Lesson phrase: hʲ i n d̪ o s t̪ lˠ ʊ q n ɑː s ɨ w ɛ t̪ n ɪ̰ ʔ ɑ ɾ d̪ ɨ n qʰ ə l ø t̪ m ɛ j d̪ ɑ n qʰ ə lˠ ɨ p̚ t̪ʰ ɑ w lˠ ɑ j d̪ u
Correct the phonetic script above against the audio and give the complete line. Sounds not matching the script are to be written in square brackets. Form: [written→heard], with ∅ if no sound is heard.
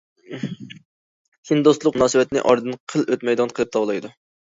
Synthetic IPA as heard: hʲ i n d̪ o s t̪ lˠ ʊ q n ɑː s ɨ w ɛ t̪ n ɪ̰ ʔ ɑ ɾ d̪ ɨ n qʰ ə l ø t̪ m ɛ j d̪ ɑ n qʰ ə lˠ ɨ p̚ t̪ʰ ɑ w lˠ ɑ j d̪ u